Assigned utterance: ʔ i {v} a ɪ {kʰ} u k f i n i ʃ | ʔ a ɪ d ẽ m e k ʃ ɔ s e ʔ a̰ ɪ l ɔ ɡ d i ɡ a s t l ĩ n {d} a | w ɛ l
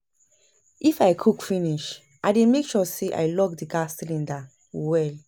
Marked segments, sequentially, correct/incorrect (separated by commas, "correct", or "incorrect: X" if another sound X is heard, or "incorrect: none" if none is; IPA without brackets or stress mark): incorrect: f, correct, correct